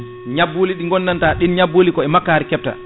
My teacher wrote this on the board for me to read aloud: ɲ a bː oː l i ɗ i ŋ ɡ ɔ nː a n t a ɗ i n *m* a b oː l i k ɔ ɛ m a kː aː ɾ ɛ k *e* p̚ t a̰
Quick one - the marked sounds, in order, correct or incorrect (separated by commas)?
incorrect, incorrect